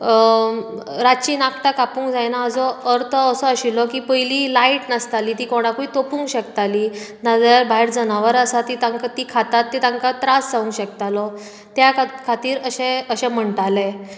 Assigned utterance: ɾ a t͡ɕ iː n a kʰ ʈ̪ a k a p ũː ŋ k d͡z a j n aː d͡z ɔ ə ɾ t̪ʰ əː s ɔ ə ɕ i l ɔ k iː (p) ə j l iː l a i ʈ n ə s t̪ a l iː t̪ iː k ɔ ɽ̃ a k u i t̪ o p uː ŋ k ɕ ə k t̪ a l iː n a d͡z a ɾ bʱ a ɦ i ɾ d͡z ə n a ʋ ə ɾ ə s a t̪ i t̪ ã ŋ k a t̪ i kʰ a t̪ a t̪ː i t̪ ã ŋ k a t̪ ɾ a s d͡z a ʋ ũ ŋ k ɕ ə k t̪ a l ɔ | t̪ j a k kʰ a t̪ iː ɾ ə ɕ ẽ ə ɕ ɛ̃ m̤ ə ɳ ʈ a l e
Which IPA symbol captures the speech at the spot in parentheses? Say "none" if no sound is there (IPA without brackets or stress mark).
p